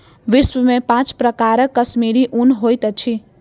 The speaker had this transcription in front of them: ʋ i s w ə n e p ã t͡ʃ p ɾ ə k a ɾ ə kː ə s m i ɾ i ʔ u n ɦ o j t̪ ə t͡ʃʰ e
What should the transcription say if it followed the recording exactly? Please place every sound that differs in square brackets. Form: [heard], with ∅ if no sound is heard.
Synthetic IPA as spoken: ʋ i s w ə [m] e p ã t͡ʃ p ɾ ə k a ɾ ə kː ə s m i ɾ i ʔ u n ɦ o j t̪ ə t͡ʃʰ [i]